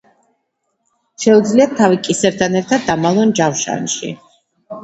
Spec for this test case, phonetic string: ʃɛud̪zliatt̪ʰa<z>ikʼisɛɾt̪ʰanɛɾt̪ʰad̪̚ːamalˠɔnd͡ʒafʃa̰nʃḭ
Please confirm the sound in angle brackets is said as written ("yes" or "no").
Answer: no